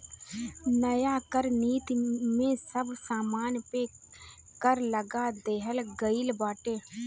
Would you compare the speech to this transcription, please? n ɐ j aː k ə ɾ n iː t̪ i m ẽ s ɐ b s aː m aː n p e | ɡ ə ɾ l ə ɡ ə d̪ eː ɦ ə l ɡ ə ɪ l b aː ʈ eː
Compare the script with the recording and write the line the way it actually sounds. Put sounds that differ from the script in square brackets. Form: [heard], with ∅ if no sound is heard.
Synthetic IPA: n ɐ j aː k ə ɾ n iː t̪ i m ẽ s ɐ b s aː m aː n p e | [k] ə ɾ l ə ɡ [a] d̪ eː ɦ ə l ɡ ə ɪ l b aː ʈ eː